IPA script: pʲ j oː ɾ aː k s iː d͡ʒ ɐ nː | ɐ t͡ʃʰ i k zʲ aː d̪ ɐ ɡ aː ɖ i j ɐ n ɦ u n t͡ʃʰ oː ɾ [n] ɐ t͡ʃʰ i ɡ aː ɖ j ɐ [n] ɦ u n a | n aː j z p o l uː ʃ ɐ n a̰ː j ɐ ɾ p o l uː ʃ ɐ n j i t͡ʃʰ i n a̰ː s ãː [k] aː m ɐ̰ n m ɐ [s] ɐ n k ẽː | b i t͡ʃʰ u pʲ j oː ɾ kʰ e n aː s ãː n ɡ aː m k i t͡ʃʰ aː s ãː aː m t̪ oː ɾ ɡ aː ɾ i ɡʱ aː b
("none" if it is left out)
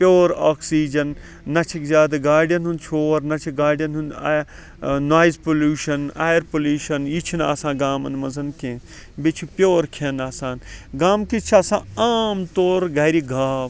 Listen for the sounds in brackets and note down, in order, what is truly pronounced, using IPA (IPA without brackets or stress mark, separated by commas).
n, n, ɡ, z